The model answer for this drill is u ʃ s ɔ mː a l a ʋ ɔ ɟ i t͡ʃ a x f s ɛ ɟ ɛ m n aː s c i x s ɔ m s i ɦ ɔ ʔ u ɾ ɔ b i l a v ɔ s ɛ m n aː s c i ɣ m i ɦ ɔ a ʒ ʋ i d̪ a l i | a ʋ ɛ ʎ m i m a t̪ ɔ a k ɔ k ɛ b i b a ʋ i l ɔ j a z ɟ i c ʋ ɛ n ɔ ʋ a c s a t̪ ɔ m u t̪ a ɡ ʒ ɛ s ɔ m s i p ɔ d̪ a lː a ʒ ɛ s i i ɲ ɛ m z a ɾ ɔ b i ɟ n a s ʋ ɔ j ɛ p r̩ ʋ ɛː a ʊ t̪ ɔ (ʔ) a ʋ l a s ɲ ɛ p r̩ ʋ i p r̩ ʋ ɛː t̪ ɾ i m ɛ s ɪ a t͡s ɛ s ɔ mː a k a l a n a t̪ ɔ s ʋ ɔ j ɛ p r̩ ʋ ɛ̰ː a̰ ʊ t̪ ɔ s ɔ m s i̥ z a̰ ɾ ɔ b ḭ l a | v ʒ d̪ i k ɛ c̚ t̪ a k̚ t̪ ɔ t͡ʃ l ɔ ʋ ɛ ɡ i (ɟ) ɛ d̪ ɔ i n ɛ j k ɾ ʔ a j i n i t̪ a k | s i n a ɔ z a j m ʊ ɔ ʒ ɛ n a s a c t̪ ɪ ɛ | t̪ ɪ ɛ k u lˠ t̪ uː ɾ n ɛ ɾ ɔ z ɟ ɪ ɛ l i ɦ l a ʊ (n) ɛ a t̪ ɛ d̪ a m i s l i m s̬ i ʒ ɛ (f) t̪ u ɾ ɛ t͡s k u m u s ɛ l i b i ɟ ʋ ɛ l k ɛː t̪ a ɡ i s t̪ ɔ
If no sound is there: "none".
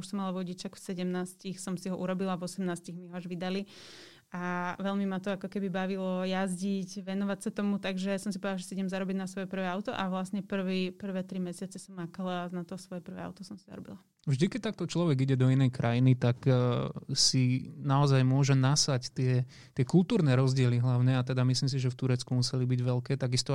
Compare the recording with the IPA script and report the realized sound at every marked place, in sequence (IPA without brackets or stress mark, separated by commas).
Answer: ʔ, ɟ, ɲ, f